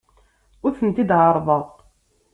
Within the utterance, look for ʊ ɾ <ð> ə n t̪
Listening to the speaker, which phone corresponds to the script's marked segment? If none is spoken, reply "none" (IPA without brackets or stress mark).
θ